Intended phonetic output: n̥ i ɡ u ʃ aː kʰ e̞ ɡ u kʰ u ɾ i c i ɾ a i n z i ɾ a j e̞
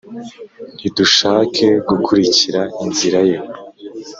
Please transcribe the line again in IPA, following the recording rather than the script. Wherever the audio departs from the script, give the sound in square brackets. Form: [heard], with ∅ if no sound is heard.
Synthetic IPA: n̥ i [d] u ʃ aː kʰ e̞ ɡ u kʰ u ɾ i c i ɾ a i n z i ɾ a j e̞